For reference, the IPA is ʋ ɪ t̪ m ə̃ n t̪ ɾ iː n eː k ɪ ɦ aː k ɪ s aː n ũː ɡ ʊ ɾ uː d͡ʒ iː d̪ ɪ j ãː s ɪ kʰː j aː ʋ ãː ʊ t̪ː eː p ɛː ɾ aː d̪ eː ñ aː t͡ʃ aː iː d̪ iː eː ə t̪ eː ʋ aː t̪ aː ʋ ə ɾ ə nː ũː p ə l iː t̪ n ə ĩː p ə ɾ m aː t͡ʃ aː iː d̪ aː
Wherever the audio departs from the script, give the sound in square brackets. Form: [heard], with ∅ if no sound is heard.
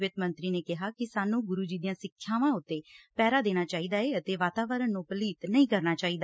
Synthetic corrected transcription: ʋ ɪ t̪ m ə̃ n t̪ ɾ iː n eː k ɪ ɦ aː k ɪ s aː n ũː ɡ ʊ ɾ uː d͡ʒ iː d̪ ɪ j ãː s ɪ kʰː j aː ʋ ãː ʊ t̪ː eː p ɛː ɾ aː d̪ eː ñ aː t͡ʃ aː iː d̪ [aː] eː ə t̪ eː ʋ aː t̪ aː ʋ ə ɾ ə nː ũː p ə l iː t̪ n ə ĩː [k] ə ɾ [n] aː t͡ʃ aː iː d̪ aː

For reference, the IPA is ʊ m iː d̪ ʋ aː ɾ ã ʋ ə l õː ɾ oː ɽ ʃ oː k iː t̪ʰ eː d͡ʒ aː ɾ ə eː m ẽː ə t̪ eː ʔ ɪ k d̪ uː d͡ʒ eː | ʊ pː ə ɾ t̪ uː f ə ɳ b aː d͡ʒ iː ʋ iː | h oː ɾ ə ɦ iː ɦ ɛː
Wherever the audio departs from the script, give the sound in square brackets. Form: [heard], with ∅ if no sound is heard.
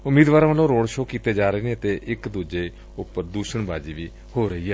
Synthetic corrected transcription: ʊ m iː d̪ ʋ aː ɾ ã ʋ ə l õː ɾ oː ɽ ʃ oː k iː [t̪] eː d͡ʒ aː ɾ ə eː [n] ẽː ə t̪ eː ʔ ɪ k d̪ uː d͡ʒ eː | ʊ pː ə ɾ [d̪] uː [ʃ] ə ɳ b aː d͡ʒ iː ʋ iː | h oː ɾ ə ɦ iː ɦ ɛː

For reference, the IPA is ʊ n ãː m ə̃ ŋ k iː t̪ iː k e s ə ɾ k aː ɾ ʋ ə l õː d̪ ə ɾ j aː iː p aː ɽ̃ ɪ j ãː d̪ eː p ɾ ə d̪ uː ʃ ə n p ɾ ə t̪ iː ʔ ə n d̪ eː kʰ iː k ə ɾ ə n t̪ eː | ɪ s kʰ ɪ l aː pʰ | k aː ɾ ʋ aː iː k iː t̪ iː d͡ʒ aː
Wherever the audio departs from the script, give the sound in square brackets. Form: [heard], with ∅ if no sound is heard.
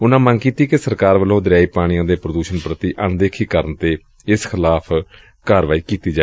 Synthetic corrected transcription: ʊ n ãː m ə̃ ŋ k iː t̪ iː k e s ə ɾ k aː ɾ ʋ ə l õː d̪ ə ɾ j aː iː p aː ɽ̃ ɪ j ãː d̪ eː p ɾ ə d̪ uː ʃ ə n p ɾ ə t̪ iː ʔ ə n d̪ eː kʰ iː k ə ɾ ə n t̪ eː | ɪ s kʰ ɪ l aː pʰ | k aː ɾ ʋ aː iː k iː t̪ iː d͡ʒ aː

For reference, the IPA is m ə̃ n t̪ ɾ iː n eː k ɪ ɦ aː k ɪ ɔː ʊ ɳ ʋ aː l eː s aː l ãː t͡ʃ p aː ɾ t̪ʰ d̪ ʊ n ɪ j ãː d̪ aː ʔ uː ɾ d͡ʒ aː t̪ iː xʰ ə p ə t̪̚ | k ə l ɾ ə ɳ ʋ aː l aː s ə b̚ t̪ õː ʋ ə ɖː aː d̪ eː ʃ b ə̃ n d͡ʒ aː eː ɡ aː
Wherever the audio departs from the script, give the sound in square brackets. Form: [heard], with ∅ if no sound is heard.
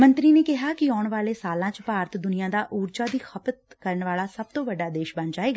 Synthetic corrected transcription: m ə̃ n t̪ ɾ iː n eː k ɪ ɦ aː k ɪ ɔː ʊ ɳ ʋ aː l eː s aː l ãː t͡ʃ p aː ɾ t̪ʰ d̪ ʊ n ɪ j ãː d̪ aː ʔ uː ɾ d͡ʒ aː [d̪] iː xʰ ə p ə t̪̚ | k ə [∅] ɾ ə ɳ ʋ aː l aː s ə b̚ t̪ õː ʋ ə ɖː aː d̪ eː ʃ b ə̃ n d͡ʒ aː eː ɡ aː

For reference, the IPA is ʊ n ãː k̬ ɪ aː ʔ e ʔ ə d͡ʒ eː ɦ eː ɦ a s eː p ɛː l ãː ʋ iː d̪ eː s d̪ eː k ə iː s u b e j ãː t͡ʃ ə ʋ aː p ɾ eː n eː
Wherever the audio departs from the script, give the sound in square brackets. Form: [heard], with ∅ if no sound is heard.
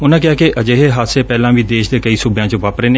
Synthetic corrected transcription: ʊ n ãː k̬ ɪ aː [k] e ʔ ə d͡ʒ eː ɦ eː ɦ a s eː p ɛː l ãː ʋ iː d̪ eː [ʃ] d̪ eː k ə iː s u b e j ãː t͡ʃ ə ʋ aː p ɾ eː n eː

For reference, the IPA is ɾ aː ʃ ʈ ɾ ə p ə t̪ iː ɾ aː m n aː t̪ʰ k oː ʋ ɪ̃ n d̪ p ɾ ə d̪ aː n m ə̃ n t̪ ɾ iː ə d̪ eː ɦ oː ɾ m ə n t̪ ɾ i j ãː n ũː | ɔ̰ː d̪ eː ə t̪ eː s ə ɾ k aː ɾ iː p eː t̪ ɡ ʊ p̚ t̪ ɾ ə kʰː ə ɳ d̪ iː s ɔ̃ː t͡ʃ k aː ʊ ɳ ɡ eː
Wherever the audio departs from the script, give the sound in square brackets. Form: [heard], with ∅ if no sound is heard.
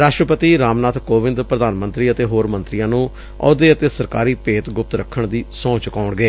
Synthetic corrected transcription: ɾ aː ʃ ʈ ɾ ə p ə t̪ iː ɾ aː m n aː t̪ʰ k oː ʋ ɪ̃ n d̪ p ɾ ə d̪ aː n m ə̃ n t̪ ɾ iː ə [t̪] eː ɦ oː ɾ m ə n t̪ ɾ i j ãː n ũː | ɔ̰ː d̪ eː ə t̪ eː s ə ɾ k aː ɾ iː p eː t̪ ɡ ʊ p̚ t̪ ɾ ə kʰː ə ɳ d̪ iː s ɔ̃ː t͡ʃ k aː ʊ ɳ ɡ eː

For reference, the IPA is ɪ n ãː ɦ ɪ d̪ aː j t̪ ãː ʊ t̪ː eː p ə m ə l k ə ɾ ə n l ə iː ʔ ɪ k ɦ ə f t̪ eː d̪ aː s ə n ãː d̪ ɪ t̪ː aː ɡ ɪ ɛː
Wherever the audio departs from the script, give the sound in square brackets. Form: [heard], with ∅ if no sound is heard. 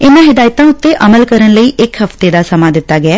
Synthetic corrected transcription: ɪ n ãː ɦ ɪ d̪ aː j t̪ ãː ʊ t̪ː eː [ʔ] ə m ə l k ə ɾ ə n l ə iː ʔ ɪ k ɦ ə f t̪ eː d̪ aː s ə [m] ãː d̪ ɪ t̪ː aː ɡ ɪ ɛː

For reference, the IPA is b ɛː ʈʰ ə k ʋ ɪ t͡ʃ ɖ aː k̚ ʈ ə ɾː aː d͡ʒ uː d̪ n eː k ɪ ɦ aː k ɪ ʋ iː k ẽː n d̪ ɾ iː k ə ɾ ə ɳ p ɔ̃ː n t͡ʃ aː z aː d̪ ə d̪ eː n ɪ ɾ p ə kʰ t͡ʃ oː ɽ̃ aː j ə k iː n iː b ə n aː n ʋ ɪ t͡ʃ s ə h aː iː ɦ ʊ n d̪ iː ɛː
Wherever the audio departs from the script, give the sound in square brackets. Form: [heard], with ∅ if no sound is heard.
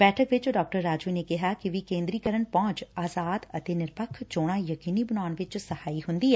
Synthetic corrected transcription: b ɛː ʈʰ ə k ʋ ɪ t͡ʃ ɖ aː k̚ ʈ ə ɾː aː d͡ʒ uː [∅] n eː k ɪ ɦ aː k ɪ ʋ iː k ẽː n d̪ ɾ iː k ə ɾ ə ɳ p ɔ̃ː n t͡ʃ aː z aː d̪ ə [t̪] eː n ɪ ɾ p ə kʰ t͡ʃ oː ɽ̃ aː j ə k iː n iː b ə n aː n ʋ ɪ t͡ʃ s ə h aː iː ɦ ʊ n d̪ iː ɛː

